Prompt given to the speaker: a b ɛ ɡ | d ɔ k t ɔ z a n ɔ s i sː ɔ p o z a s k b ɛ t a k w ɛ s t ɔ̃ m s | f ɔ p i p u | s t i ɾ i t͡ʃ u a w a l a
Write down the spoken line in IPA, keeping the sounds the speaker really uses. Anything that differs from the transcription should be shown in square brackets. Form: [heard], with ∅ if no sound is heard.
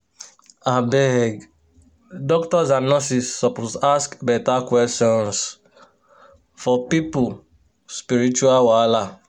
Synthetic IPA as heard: a b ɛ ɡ | d ɔ k t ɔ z a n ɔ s i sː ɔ p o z a s k b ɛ t a k w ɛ s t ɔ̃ [n] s | f ɔ p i p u | s [p] i ɾ i t͡ʃ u a w a l a